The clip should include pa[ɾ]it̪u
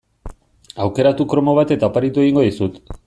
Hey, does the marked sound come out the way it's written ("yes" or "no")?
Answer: yes